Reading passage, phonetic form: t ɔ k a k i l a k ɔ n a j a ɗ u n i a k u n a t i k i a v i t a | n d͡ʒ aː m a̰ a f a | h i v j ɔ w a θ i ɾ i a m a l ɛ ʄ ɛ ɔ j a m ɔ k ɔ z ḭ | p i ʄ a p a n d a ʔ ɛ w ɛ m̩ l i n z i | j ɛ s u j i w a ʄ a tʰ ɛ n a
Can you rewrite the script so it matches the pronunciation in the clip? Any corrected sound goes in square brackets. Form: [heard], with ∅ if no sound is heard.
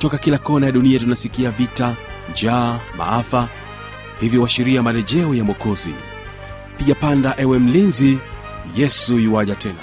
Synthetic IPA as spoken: t ɔ k a k i l a k ɔ n a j a ɗ u n i a [t] u n a [s] i k i a v i t a | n d͡ʒ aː m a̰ a f a | h i v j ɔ w a [ʃ] i ɾ i a m a l ɛ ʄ ɛ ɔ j a m ɔ k ɔ z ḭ | p i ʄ a p a n d a ʔ ɛ w ɛ m̩ l i n z i | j ɛ s u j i w a ʄ a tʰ ɛ n a